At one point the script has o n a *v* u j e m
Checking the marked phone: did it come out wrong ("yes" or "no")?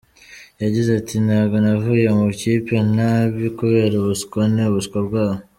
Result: no